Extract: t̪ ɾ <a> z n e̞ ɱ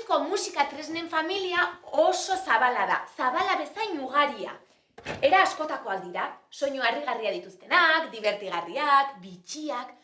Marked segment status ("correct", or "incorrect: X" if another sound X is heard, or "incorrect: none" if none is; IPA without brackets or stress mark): incorrect: e